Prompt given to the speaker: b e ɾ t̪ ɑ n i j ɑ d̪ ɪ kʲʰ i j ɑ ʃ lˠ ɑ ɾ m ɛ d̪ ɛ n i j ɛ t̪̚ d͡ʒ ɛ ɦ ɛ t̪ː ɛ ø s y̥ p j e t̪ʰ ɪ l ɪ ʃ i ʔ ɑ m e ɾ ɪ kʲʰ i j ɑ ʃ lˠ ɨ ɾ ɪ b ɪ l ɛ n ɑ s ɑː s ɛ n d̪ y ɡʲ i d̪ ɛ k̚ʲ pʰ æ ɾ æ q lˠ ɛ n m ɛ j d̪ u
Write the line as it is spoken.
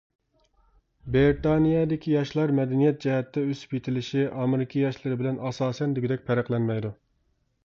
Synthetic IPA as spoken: b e ɾ t̪ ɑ n i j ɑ d̪ ɪ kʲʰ i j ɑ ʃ lˠ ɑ ɾ m ɛ d̪ ɛ n i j ɛ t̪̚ d͡ʒ ɛ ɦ ɛ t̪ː ɛ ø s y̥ p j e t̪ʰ ɪ l ɪ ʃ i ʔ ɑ m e ɾ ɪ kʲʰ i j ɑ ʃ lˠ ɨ ɾ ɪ b ɪ l ɛ n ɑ s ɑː s ɛ n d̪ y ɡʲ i d̪ ɛ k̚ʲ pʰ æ ɾ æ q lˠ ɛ n m ɛ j d̪ u

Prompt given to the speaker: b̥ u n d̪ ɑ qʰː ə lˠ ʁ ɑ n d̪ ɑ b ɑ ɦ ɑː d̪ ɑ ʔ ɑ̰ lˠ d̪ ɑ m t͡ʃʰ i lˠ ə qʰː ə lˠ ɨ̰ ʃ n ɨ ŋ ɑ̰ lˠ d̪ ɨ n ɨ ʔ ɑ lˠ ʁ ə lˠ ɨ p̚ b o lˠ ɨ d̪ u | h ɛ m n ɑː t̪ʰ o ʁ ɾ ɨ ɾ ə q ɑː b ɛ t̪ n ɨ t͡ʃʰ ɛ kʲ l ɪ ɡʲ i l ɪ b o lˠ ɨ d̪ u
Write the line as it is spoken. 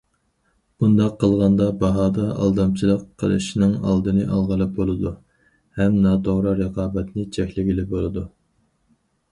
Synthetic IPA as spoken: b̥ u n d̪ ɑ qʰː ə lˠ ʁ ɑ n d̪ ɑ b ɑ ɦ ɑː d̪ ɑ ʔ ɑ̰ lˠ d̪ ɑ m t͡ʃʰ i lˠ ə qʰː ə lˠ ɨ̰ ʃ n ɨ ŋ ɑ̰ lˠ d̪ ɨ n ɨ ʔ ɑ lˠ ʁ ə lˠ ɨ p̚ b o lˠ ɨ d̪ u | h ɛ m n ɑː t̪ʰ o ʁ ɾ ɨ ɾ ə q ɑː b ɛ t̪ n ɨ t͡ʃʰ ɛ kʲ l ɪ ɡʲ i l ɪ b o lˠ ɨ d̪ u

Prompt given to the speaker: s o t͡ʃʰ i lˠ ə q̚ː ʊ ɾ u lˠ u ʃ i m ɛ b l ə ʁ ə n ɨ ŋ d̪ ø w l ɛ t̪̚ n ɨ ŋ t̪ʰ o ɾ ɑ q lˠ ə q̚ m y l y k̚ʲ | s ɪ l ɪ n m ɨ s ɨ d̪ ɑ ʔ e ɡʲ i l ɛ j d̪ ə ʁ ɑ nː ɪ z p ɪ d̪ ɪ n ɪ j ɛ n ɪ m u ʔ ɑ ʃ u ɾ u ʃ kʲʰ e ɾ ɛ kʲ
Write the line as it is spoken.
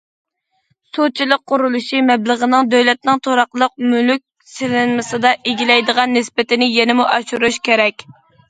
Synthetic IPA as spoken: s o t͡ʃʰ i lˠ ə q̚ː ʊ ɾ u lˠ u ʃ i m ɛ b l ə ʁ ə n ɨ ŋ d̪ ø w l ɛ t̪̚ n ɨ ŋ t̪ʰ o ɾ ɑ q lˠ ə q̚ m y l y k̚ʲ | s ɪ l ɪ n m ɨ s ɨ d̪ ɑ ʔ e ɡʲ i l ɛ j d̪ ə ʁ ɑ nː ɪ s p ɪ t̪ ɪ n ɪ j ɛ n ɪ m u ʔ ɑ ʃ u ɾ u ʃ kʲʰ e ɾ ɛ kʲ

